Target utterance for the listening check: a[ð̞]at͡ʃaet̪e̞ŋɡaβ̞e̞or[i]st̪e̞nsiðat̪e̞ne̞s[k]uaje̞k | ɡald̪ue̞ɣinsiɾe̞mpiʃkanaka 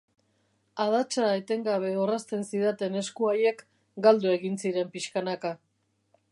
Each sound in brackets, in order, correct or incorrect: correct, incorrect, correct

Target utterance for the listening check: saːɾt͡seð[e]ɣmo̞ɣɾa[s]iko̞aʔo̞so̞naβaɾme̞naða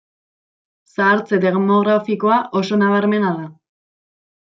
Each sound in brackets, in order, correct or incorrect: correct, incorrect

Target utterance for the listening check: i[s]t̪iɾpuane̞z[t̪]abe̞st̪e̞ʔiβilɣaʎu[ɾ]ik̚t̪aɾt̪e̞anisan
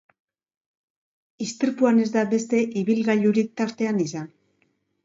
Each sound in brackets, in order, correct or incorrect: correct, incorrect, correct

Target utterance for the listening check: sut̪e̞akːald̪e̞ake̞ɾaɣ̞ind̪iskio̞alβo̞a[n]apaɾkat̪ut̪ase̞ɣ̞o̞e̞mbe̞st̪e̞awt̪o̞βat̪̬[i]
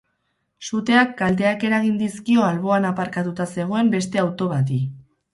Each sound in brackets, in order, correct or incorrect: correct, correct

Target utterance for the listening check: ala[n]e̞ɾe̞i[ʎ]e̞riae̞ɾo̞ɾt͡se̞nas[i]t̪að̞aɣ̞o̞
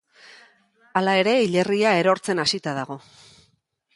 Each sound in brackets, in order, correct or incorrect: incorrect, correct, correct

